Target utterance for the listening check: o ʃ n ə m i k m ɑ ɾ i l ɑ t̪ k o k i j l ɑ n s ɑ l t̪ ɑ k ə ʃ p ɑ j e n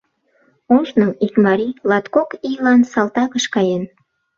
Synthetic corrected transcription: o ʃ n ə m i k m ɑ ɾ i l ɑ t̪ k o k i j l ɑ n s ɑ l t̪ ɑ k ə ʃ k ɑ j e n